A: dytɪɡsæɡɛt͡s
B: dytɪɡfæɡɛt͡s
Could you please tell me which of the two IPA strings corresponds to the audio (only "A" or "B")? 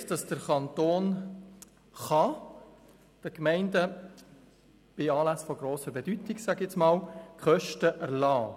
A